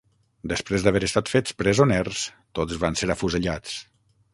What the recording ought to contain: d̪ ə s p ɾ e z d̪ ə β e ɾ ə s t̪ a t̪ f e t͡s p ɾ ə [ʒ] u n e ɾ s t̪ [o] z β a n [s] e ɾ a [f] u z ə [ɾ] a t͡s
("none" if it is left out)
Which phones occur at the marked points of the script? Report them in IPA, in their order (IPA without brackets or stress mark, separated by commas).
z, o, s, f, ʎ